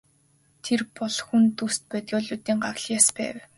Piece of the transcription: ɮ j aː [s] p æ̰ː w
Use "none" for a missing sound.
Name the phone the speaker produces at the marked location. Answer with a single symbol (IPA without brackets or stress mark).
s